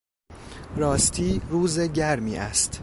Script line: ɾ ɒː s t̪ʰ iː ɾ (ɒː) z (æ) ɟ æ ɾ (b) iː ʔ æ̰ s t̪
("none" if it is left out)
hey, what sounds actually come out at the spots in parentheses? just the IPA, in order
uː, e, m

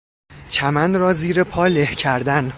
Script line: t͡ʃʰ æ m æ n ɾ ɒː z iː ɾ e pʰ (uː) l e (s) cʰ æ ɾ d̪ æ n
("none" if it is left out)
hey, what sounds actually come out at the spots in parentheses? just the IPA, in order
ɒː, h

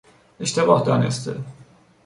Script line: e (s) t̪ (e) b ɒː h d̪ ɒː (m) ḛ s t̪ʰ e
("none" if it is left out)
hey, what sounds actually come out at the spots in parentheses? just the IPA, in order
ʃ, e, n

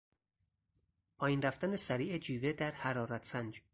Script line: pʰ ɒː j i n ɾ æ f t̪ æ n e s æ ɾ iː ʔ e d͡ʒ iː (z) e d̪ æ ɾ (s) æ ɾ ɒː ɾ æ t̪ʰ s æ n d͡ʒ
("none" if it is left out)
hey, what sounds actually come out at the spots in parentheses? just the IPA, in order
v, h

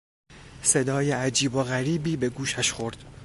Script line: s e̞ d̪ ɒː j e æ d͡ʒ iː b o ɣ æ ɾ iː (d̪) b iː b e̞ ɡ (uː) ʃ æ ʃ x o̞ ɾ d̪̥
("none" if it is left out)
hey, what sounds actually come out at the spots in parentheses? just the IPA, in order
none, uː

